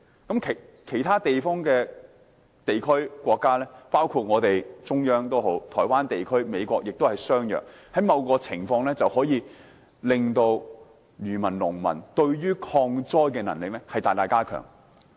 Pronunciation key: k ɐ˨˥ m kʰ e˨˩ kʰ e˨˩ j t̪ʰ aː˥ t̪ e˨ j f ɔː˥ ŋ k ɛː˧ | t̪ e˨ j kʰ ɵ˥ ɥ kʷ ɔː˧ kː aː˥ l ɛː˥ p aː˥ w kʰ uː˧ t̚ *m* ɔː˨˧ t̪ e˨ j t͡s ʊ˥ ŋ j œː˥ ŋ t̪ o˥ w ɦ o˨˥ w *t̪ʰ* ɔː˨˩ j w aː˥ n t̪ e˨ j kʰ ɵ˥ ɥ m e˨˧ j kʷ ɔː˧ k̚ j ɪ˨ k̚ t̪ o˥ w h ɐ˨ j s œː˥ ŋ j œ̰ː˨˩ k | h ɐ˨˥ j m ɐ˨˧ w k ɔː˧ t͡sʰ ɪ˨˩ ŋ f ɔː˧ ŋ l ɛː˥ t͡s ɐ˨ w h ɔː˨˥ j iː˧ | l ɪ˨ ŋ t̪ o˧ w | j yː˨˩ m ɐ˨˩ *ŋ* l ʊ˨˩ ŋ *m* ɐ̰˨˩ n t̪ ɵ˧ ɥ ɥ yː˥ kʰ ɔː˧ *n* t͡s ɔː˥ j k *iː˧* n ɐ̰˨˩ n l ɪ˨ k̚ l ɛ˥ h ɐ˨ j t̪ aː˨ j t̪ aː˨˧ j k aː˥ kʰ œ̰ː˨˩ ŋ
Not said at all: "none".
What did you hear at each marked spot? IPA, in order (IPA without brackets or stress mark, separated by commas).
ŋ, t̪ʰ, n, m, ŋ, ɛː˧